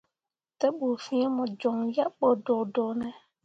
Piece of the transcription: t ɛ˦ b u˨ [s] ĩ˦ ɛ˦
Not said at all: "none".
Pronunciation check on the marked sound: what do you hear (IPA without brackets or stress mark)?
f